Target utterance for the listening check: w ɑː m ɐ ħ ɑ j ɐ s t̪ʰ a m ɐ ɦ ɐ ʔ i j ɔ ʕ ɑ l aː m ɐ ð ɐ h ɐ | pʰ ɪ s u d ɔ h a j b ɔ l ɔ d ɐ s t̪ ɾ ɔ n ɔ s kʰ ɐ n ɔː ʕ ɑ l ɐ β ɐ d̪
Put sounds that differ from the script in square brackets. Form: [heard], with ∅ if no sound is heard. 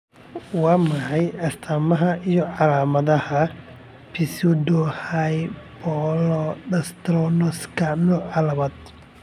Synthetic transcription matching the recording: w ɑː m ɐ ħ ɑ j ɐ s t̪ʰ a m ɐ ɦ ɐ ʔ i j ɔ ʕ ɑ l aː m ɐ ð ɐ h ɐ | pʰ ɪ s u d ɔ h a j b ɔ l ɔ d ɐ s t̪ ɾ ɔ n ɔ s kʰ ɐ n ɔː ʕ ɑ l ɐ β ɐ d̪